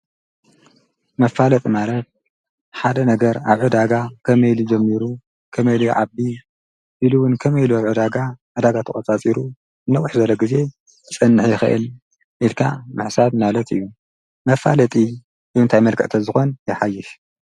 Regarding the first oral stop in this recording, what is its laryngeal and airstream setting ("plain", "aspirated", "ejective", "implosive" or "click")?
ejective